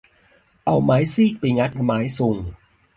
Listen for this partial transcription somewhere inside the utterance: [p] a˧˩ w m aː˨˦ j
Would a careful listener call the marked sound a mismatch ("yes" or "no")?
yes